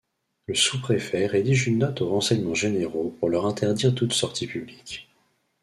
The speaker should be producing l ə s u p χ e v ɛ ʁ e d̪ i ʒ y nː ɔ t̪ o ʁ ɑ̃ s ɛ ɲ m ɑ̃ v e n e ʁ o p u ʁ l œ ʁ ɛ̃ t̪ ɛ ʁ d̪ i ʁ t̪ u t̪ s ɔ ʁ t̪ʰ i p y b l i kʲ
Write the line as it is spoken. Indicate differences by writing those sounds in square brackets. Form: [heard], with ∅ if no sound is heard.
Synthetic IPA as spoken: l ə s u p χ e [f] ɛ ʁ e d̪ i ʒ y nː ɔ t̪ o ʁ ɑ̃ s ɛ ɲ m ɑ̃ [ʒ] e n e ʁ o p u ʁ l œ ʁ ɛ̃ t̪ ɛ ʁ d̪ i ʁ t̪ u t̪ s ɔ ʁ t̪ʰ i p y b l i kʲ